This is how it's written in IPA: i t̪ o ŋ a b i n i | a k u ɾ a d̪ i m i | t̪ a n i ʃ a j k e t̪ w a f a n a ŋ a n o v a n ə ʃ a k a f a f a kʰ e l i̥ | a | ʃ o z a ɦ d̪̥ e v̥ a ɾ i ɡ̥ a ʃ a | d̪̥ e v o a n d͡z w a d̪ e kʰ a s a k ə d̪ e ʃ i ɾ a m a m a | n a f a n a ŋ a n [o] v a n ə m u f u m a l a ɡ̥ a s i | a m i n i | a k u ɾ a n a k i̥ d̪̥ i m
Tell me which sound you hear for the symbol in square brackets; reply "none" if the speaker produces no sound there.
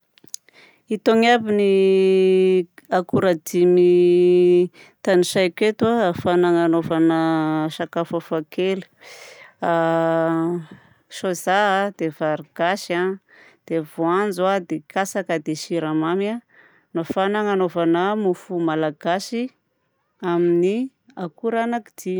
o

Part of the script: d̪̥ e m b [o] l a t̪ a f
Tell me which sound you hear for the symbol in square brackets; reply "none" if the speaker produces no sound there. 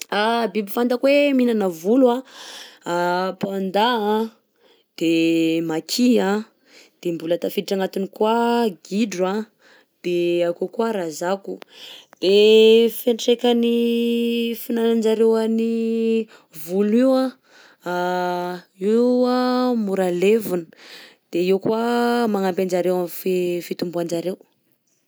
u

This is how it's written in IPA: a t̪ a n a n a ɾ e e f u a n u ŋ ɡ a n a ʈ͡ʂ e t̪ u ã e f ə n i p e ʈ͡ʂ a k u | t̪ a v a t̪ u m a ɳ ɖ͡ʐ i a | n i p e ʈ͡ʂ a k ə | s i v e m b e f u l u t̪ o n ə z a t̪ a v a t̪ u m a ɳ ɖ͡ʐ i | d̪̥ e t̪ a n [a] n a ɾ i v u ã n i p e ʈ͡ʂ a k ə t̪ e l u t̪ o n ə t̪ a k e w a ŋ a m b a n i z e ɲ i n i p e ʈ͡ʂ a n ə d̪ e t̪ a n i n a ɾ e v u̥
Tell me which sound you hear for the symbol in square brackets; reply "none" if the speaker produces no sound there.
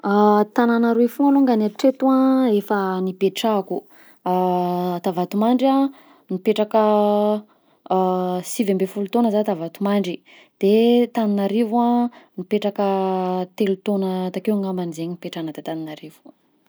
i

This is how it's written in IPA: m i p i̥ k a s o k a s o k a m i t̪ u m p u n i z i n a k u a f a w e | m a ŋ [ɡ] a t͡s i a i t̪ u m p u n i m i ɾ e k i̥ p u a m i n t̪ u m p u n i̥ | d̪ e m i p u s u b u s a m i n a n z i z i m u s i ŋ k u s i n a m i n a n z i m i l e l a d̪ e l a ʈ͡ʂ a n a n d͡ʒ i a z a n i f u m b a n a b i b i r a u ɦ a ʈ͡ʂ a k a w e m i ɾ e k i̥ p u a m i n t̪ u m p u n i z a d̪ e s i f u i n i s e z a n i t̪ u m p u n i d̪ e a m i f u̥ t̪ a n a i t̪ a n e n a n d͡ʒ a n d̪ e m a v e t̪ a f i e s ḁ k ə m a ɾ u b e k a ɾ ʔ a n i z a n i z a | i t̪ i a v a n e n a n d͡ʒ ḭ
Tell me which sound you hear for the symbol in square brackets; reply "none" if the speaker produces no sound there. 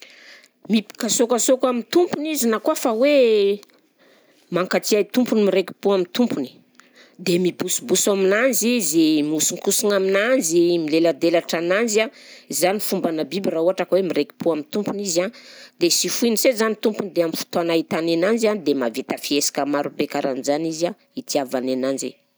k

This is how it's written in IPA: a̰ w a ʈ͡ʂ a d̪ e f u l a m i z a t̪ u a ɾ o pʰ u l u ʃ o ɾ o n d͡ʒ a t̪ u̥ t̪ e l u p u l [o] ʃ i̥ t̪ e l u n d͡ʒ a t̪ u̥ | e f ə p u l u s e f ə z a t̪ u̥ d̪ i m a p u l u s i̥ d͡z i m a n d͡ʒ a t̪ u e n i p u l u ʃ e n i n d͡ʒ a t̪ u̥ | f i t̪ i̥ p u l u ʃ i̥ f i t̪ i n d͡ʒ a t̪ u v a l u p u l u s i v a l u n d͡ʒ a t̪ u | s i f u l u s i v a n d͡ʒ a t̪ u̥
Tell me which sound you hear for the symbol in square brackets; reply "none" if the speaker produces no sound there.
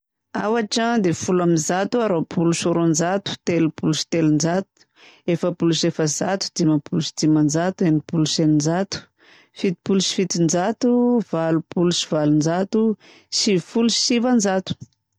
u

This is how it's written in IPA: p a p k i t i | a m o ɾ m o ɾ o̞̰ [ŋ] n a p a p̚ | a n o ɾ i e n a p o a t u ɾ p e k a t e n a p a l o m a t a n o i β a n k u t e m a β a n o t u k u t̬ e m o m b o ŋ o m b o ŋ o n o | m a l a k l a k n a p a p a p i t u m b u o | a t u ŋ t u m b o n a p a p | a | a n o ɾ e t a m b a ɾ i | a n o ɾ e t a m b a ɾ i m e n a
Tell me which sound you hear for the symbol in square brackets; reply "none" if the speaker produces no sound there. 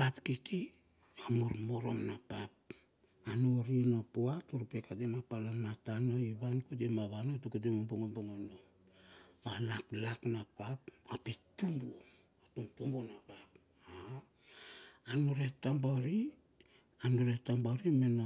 m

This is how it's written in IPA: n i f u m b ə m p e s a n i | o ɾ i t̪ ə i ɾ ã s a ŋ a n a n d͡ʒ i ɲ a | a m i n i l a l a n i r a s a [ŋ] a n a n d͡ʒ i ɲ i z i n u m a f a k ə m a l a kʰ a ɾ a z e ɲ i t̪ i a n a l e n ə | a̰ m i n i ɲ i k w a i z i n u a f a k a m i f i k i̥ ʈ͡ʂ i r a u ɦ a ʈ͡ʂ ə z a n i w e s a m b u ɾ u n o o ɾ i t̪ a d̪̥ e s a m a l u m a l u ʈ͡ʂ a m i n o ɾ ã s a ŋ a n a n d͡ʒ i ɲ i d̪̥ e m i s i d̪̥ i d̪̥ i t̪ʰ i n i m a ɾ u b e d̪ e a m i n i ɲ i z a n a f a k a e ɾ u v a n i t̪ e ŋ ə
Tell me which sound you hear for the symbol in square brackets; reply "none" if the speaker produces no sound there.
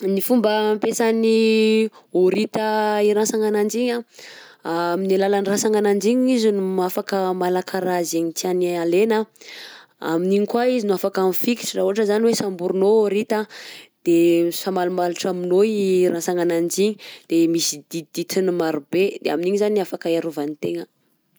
ŋ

